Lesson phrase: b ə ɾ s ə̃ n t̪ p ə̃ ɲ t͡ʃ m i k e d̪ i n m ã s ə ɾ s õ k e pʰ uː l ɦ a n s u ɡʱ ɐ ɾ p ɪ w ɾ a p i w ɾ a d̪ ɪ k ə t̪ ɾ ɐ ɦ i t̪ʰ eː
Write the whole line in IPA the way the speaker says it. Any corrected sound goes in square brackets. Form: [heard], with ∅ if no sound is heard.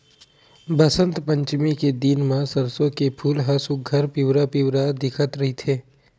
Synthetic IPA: b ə [∅] s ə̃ n t̪ p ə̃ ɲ t͡ʃ m i k e d̪ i n m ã s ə ɾ s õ k e pʰ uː l ɦ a [∅] s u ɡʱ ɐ ɾ p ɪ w ɾ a p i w ɾ a d̪ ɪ [kʰ] ə t̪ ɾ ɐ ɦ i t̪ʰ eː